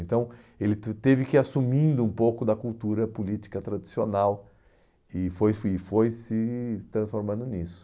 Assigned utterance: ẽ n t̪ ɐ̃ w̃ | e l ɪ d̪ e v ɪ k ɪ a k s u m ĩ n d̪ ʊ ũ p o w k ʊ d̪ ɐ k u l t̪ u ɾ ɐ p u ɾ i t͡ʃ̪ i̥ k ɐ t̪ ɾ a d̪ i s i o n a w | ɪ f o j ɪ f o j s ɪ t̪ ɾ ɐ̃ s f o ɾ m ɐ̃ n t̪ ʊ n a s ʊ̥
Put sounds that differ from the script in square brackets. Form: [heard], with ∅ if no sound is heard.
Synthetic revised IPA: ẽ n t̪ ɐ̃ w̃ | e l ɪ [t̪] e v ɪ k ɪ a [∅] s u m ĩ n d̪ ʊ ũ p o w k ʊ d̪ ɐ k u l t̪ u ɾ ɐ p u [l] i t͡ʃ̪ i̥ k ɐ t̪ ɾ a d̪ i s i o n a w | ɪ f o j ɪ f o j s ɪ t̪ ɾ ɐ̃ s f o ɾ m ɐ̃ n [d̪] ʊ n [i] s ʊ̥